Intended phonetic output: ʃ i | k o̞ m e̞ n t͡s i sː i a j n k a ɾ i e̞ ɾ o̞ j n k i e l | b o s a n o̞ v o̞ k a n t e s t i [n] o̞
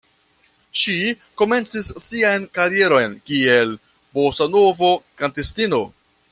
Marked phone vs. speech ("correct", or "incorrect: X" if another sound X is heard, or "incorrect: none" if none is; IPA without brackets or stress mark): correct